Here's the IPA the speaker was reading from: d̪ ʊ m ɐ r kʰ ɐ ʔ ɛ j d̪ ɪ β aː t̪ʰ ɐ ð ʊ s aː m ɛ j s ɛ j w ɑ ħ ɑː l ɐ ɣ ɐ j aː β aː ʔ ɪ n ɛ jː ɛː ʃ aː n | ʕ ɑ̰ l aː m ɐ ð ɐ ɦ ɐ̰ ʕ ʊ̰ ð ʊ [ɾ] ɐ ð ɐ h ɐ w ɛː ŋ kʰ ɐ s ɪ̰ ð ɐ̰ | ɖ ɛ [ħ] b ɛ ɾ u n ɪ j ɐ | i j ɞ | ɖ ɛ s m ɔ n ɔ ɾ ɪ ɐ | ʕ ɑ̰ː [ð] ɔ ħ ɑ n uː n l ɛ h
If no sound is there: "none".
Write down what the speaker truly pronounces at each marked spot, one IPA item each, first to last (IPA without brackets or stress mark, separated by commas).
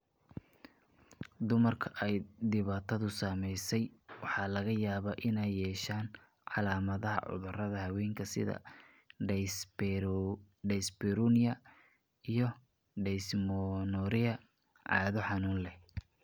r, s, ð